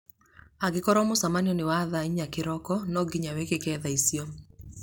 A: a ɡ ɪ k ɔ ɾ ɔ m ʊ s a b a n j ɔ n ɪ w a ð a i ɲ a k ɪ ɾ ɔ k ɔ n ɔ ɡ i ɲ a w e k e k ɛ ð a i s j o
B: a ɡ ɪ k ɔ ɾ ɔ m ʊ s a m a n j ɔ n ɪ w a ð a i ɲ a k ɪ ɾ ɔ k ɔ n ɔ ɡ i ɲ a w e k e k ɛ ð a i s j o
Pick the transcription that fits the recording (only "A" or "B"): B